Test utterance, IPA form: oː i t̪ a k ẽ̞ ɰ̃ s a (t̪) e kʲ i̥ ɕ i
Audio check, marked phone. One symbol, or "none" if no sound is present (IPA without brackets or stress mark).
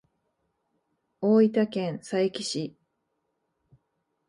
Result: none